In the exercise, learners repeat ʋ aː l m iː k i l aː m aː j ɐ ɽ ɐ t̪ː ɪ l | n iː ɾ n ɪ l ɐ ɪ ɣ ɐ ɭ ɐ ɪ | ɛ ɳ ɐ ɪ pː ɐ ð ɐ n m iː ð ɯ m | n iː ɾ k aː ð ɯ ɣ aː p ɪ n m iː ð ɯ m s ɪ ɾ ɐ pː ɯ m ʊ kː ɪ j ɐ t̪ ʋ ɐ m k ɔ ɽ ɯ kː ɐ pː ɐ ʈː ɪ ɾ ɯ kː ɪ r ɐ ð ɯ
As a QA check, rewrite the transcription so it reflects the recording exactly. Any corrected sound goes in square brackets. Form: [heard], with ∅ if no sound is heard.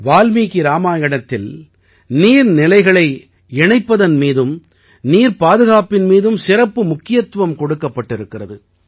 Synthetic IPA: ʋ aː l m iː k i [ɾ] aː m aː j ɐ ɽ ɐ t̪ː ɪ l | n iː ɾ n ɪ l ɐ ɪ ɣ ɐ ɭ ɐ ɪ | ɛ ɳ ɐ ɪ pː ɐ ð ɐ n m iː ð ɯ m | n iː ɾ [p] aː ð ɯ ɣ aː p ɪ n m iː ð ɯ m s ɪ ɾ ɐ pː ɯ m ʊ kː ɪ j ɐ t̪ ʋ ɐ m k ɔ ɽ ɯ kː ɐ pː ɐ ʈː ɪ ɾ ɯ kː ɪ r ɐ ð ɯ